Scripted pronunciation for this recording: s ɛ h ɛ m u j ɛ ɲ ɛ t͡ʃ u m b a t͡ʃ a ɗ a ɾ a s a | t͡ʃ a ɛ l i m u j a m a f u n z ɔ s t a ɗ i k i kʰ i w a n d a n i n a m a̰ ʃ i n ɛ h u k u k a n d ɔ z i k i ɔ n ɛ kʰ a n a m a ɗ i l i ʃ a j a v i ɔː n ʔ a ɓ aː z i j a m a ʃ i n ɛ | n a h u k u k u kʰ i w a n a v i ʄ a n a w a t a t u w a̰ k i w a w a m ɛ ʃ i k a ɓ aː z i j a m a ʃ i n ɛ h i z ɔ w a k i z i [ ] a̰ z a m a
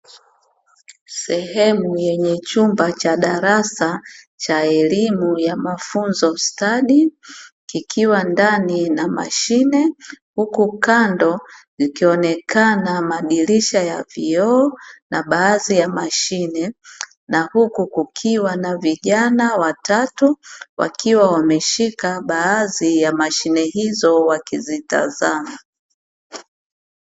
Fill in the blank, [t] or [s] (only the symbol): t